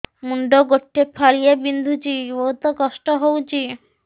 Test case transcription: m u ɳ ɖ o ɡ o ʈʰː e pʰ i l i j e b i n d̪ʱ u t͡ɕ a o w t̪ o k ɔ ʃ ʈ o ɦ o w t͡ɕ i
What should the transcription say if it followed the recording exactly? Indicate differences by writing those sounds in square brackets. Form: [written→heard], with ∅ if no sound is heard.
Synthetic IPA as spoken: m u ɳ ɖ o ɡ o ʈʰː e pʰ [i→a] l i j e b i n d̪ʱ u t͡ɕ [a→i] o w t̪ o k ɔ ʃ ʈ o ɦ o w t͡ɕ i